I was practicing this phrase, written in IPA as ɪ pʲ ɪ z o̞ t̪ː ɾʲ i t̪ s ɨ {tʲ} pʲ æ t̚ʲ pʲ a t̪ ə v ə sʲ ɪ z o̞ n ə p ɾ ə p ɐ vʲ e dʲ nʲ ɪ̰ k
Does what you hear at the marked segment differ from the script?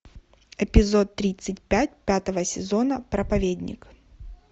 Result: no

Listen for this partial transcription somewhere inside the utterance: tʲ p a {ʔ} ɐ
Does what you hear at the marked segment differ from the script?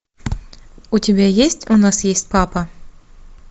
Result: yes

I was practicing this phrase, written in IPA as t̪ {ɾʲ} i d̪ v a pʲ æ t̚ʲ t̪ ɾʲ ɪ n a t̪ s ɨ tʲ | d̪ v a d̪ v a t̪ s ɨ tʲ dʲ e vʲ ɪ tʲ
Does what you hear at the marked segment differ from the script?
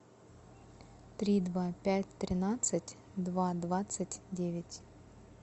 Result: no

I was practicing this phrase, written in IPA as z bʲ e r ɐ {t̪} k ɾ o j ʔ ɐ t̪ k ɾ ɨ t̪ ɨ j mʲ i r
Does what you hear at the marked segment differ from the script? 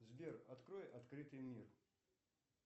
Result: no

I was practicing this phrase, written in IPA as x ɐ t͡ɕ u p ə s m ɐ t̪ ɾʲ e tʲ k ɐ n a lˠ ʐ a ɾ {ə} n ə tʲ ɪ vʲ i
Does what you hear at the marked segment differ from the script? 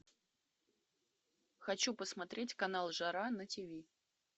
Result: yes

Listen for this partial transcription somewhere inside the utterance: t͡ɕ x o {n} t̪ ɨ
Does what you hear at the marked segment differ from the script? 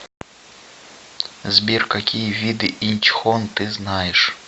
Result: no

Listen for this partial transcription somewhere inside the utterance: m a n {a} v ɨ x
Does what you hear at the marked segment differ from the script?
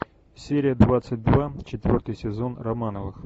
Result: yes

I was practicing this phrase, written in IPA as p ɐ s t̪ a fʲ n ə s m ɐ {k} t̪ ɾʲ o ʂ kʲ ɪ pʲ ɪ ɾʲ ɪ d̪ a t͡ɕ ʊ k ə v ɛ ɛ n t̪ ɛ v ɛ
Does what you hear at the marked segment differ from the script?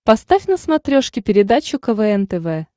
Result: yes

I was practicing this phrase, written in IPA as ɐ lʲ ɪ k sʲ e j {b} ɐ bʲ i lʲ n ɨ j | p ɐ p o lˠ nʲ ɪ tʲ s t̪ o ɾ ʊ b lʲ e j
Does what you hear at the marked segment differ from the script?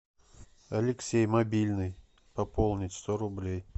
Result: yes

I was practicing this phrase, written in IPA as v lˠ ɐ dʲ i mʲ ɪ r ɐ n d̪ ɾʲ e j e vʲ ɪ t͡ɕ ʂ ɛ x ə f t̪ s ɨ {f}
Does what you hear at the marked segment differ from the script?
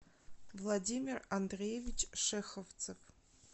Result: no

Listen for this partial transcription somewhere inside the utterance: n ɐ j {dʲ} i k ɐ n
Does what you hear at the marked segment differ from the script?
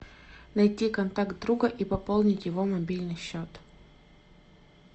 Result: yes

